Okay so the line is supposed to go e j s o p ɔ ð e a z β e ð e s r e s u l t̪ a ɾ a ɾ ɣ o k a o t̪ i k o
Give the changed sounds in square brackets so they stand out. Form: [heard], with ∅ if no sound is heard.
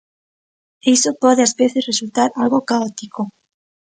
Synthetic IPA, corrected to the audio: e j s o p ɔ ð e a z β e [θ] e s r e s u l t̪ a ɾ a [l] ɣ o k a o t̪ i k o